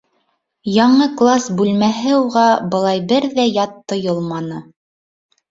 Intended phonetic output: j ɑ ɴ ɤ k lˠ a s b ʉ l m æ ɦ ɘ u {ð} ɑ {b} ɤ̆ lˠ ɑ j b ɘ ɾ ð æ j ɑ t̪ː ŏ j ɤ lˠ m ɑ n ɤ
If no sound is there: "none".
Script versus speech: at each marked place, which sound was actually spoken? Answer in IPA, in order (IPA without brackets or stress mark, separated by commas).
ʁ, b